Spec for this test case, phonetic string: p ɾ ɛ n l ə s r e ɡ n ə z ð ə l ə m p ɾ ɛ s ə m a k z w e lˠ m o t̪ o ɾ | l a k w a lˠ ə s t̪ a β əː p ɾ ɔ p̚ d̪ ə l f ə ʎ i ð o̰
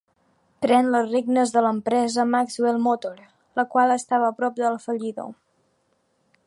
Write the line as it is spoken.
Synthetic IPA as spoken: p ɾ ɛ n l ə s r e ɡ n ə z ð ə l ə m p ɾ ɛ z ə m a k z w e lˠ m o t̪ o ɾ | l ə k w a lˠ ə s t̪ a β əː p ɾ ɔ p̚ d̪ ə l f ə ʎ i ð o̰